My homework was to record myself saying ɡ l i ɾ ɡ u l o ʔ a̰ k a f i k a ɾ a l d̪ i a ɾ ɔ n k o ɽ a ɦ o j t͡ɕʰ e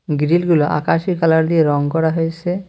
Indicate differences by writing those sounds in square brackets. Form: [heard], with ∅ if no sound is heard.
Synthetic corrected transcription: ɡ [ɾ] i [l] ɡ u l o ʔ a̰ k a [ʃ] i k a [l] a [ɾ] d̪ i [e] ɾ ɔ [ŋ] k [ɔ] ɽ a ɦ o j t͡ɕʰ e